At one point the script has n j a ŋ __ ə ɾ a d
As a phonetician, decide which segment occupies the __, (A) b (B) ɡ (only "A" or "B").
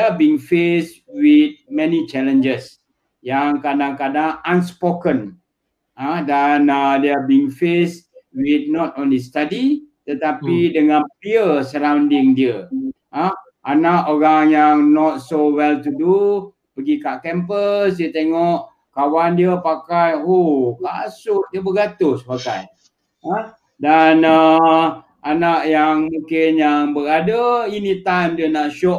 A